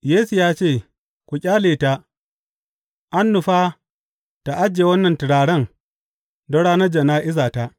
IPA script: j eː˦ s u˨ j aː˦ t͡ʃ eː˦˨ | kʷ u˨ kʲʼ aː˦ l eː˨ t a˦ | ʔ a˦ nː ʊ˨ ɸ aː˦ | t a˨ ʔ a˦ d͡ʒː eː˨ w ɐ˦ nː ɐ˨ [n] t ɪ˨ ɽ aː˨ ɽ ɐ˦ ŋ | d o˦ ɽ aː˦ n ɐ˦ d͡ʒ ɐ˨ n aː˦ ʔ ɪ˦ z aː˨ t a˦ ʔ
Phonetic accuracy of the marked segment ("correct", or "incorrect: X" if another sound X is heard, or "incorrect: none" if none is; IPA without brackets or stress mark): correct